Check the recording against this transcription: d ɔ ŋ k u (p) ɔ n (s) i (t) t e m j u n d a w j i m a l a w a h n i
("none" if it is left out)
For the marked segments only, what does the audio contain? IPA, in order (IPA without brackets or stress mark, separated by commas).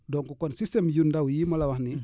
k, s, s